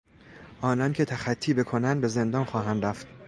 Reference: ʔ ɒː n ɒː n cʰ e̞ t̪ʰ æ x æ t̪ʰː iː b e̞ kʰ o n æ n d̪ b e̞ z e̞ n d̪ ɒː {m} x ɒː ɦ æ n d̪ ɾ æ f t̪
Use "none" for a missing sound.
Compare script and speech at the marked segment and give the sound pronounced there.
n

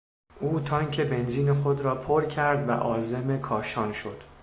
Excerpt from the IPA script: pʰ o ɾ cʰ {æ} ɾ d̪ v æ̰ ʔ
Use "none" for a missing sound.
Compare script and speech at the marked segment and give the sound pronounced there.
æ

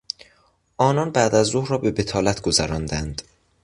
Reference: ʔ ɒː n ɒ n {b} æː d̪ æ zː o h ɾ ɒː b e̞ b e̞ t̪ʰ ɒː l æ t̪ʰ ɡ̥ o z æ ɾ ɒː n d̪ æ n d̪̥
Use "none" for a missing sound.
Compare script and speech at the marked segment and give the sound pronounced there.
b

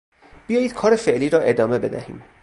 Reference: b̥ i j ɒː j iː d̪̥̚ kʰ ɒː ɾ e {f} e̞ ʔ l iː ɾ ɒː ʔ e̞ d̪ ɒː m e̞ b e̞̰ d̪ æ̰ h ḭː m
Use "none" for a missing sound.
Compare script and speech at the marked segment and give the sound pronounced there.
f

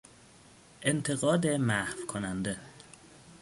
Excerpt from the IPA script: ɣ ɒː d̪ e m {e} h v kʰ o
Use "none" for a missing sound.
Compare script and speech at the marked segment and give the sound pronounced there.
æ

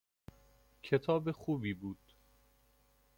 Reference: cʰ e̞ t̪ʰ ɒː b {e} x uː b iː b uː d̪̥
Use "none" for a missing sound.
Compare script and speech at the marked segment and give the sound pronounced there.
e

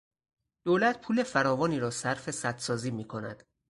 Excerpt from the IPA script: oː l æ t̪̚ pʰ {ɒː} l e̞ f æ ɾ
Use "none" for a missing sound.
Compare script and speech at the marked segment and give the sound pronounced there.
uː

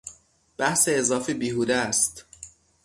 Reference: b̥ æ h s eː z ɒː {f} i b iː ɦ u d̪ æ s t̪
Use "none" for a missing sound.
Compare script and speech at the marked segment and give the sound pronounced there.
f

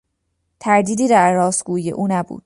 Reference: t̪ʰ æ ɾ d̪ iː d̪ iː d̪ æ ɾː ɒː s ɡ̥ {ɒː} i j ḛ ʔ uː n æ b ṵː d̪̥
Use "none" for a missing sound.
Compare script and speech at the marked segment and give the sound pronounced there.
uː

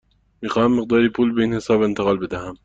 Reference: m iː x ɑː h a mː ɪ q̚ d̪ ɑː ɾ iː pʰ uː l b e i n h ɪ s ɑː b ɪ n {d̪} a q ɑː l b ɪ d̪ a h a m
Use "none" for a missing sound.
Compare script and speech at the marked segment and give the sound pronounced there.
t̪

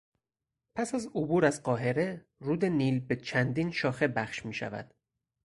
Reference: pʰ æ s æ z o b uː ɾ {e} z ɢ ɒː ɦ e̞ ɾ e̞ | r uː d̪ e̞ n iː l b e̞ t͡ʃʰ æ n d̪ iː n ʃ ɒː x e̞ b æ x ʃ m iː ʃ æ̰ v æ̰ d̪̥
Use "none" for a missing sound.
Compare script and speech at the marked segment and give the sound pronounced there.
æ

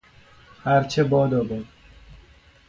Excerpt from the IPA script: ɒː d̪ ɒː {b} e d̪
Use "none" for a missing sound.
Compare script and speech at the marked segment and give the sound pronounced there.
b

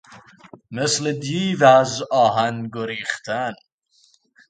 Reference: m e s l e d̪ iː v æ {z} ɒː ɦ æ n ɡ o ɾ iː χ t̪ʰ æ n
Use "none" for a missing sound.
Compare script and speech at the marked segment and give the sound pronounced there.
z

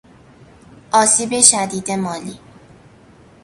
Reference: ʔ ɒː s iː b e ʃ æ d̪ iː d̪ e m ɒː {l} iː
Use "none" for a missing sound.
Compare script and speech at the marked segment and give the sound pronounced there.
l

